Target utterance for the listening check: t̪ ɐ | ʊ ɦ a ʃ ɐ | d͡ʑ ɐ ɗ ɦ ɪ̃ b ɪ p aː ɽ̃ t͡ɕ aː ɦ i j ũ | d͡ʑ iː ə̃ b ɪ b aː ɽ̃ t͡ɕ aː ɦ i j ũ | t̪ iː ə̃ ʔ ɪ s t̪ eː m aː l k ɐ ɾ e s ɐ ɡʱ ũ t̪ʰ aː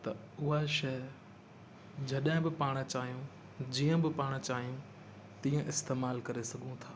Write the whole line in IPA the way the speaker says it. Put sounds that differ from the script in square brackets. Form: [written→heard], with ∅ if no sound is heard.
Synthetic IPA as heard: t̪ ɐ | ʊ ɦ a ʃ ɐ | d͡ʑ ɐ ɗ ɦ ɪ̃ b ɪ p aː ɽ̃ t͡ɕ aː ɦ i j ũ | d͡ʑ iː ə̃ b ɪ [b→p] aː ɽ̃ t͡ɕ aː ɦ i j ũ | t̪ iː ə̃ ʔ ɪ s t̪ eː m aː l k ɐ ɾ e s ɐ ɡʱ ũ t̪ʰ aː